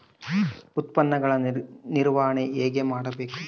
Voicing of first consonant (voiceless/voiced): voiceless